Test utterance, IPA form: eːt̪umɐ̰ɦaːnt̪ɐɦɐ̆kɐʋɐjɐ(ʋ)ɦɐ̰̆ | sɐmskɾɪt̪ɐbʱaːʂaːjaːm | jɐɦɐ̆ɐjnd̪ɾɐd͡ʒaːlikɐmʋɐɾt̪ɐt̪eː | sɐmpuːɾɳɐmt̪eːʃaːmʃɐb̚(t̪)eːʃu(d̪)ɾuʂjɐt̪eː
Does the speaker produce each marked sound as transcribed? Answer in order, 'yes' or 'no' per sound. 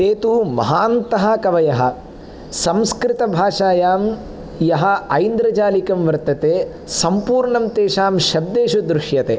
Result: no, no, yes

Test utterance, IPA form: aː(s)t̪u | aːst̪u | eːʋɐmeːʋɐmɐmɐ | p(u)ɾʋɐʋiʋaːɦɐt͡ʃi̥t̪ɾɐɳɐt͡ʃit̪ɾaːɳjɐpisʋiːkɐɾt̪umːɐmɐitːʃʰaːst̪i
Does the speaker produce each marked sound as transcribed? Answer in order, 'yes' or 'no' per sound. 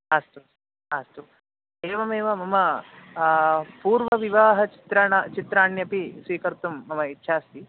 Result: yes, no

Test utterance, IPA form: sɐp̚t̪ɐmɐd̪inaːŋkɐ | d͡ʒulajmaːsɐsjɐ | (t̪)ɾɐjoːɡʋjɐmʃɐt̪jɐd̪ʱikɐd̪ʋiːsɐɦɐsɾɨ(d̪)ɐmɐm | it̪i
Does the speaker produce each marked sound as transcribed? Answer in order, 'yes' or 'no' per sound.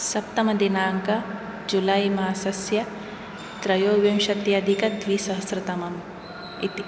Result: yes, no

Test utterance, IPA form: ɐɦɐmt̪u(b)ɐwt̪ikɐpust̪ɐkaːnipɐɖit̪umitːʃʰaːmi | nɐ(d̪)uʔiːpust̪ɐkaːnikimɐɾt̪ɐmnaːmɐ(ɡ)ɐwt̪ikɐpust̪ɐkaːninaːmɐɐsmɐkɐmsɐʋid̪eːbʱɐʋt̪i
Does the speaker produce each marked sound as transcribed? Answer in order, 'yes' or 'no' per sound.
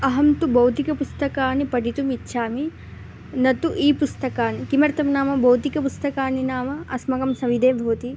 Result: yes, no, no

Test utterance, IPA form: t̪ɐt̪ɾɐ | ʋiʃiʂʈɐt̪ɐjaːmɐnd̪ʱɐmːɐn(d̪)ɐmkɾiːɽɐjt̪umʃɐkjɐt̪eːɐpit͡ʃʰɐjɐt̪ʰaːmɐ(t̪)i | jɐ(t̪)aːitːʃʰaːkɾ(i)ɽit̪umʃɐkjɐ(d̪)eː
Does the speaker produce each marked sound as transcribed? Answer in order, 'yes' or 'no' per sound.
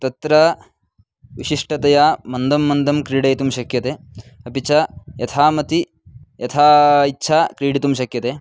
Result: yes, yes, no, no, no

